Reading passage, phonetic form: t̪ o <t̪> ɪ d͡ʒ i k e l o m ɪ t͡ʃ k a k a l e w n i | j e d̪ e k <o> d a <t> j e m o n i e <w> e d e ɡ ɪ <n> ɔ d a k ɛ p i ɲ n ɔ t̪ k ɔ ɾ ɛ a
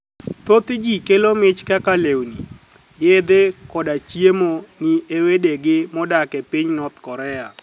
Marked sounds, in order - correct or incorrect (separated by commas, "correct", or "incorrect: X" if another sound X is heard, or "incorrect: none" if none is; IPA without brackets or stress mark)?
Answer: correct, incorrect: ɔ, incorrect: t͡ʃ, correct, incorrect: m